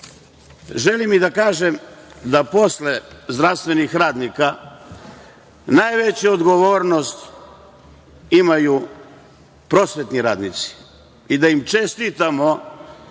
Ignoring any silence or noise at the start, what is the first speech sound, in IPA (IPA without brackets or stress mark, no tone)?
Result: ʒ